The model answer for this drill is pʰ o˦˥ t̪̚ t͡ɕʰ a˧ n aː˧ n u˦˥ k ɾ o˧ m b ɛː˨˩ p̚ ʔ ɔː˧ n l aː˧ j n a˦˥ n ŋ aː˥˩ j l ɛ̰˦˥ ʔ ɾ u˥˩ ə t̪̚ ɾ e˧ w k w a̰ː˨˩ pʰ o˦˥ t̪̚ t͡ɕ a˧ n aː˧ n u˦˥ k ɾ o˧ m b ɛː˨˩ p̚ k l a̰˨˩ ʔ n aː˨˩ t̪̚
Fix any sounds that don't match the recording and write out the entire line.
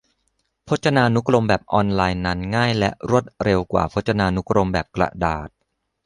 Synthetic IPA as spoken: pʰ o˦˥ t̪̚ t͡ɕʰ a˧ n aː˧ n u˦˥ k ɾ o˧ m b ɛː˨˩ p̚ ʔ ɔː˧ n l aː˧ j n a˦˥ n ŋ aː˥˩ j l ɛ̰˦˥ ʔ ɾ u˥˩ ə t̪̚ ɾ e˧ w k w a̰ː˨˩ pʰ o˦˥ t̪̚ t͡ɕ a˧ n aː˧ n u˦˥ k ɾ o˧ m b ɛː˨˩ p̚ k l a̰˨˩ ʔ d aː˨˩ t̪̚